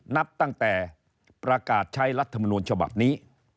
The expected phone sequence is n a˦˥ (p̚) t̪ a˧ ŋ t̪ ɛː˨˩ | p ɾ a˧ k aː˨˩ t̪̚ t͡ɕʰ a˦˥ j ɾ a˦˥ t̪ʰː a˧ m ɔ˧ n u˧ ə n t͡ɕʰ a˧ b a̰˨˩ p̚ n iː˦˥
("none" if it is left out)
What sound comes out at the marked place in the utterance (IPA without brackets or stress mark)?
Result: p̚